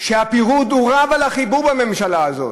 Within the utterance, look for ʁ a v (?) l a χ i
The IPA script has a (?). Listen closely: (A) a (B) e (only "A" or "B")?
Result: A